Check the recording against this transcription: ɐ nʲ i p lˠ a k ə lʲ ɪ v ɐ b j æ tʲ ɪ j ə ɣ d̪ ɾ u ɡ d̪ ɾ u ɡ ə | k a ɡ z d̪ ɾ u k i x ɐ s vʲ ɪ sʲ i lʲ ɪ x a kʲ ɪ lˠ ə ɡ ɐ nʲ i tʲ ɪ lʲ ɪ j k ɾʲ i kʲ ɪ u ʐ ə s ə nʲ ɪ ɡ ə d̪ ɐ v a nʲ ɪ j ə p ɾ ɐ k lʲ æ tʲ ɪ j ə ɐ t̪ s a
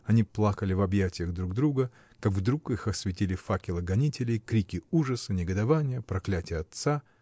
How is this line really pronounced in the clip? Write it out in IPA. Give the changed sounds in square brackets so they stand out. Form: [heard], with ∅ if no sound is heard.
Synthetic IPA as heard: ɐ nʲ i p lˠ a k ə lʲ ɪ v ɐ b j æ tʲ ɪ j ə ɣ d̪ ɾ u ɡ d̪ ɾ u ɡ ə | k a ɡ [v] d̪ ɾ u k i x ɐ s vʲ ɪ [tʲ] i lʲ ɪ [f] a kʲ ɪ lˠ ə ɡ ɐ nʲ i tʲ ɪ lʲ ɪ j k ɾʲ i kʲ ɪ u ʐ ə s ə nʲ ɪ ɡ ə d̪ ɐ v a nʲ ɪ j ə p ɾ ɐ k lʲ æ tʲ ɪ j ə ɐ t̪ s a